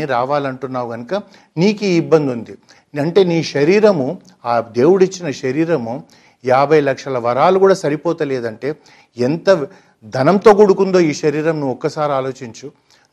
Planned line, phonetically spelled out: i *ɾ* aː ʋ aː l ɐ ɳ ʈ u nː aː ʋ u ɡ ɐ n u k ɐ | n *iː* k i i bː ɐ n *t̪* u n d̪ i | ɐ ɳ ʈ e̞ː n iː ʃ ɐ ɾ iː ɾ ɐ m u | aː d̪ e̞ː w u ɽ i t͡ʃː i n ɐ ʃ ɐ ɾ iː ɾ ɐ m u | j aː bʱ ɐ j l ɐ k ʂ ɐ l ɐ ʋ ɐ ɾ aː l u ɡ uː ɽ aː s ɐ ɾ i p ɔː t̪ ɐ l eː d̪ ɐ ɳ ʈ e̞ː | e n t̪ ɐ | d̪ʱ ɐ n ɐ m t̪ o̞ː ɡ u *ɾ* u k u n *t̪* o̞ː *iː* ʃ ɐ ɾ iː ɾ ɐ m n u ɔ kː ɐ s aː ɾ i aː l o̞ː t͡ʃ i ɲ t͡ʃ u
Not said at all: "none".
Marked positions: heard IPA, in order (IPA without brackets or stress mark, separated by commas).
ɾ, iː, d̪, ɽ, d̪, iː